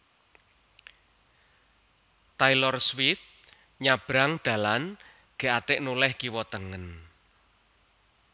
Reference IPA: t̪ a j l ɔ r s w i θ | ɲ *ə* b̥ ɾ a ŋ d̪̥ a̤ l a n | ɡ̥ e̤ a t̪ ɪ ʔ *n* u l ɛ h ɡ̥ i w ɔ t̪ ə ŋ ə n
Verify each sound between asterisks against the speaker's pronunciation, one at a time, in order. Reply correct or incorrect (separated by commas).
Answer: incorrect, correct